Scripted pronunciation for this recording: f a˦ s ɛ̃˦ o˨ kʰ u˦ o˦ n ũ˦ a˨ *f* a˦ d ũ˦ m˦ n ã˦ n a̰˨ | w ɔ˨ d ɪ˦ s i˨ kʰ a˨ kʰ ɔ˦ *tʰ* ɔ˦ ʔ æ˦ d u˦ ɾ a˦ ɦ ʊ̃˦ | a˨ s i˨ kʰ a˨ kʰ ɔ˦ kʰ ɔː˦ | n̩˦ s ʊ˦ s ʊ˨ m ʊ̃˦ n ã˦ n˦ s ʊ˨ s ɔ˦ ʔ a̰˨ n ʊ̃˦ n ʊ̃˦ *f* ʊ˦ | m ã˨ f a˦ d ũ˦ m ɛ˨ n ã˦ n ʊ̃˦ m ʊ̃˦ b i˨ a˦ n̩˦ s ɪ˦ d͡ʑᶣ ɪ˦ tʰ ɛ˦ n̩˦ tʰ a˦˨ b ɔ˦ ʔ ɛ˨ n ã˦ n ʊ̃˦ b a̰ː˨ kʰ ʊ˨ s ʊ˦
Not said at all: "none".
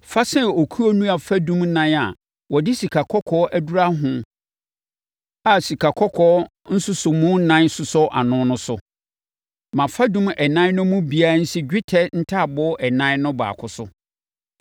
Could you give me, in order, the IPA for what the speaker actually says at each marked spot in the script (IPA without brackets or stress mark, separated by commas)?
f, kʰ, s